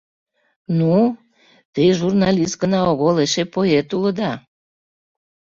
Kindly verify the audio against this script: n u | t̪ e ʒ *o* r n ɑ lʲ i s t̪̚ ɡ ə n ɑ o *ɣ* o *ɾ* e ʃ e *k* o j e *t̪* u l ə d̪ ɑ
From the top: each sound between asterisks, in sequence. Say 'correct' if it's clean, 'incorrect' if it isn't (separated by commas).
incorrect, correct, incorrect, incorrect, correct